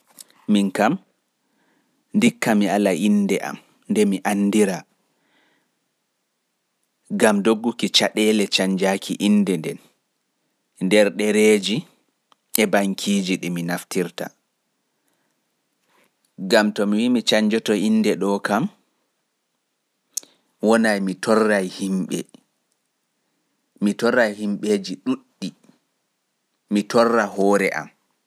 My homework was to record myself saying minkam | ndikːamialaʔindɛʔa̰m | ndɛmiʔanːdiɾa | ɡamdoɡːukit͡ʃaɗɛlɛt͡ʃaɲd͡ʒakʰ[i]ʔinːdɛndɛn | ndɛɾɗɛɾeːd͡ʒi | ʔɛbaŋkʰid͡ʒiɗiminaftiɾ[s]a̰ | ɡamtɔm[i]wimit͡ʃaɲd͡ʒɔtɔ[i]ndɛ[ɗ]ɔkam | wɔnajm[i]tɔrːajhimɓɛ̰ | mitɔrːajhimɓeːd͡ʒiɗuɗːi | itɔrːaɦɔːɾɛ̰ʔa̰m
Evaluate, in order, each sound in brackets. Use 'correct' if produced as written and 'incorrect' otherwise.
correct, incorrect, correct, correct, correct, correct

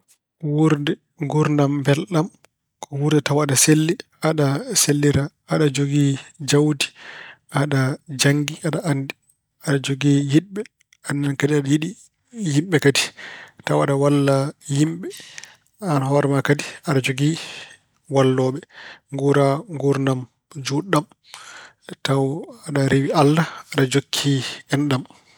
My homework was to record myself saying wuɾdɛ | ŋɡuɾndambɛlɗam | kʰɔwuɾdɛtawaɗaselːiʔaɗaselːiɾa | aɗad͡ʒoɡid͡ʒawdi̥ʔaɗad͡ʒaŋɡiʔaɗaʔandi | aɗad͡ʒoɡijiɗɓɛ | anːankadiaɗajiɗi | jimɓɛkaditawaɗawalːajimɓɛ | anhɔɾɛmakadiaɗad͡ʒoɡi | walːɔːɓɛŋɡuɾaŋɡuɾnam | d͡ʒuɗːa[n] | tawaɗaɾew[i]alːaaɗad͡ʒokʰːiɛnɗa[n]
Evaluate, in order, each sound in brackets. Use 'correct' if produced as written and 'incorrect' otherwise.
incorrect, correct, incorrect

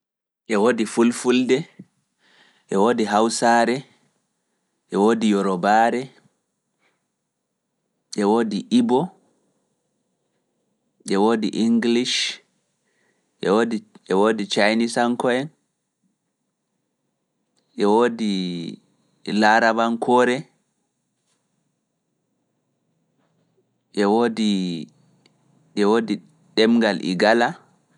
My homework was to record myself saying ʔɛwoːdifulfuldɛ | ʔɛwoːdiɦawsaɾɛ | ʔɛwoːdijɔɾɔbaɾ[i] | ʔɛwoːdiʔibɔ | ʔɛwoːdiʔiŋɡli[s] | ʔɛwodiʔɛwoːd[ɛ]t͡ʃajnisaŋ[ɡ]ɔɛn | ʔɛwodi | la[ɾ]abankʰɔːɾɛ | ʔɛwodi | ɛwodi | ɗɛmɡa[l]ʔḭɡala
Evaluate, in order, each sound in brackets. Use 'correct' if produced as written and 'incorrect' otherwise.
incorrect, incorrect, incorrect, incorrect, correct, correct

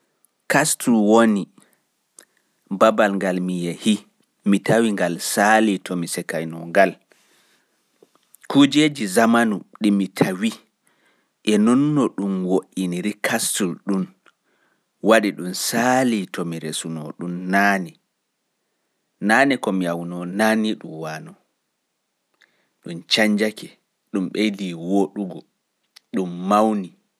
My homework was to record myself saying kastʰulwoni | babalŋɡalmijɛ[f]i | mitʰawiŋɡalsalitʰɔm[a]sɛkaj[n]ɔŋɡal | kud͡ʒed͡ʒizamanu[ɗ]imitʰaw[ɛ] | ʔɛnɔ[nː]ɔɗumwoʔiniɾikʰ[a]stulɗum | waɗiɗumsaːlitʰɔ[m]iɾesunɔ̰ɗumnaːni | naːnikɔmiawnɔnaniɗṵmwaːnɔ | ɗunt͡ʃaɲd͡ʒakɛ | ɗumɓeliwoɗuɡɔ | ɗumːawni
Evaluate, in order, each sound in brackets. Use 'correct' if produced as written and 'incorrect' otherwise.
incorrect, incorrect, correct, correct, incorrect, correct, correct, correct

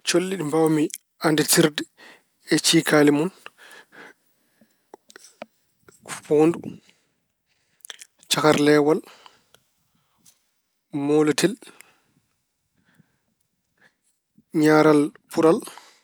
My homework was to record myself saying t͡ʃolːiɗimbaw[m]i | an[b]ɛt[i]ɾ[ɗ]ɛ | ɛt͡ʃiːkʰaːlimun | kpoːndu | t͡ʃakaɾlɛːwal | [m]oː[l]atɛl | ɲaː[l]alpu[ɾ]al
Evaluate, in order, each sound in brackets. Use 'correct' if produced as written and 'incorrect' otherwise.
correct, incorrect, correct, incorrect, correct, correct, incorrect, correct

